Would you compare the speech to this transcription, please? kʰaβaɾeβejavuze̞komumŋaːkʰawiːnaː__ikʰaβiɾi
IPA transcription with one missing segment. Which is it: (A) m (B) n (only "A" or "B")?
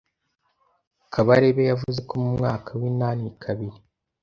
B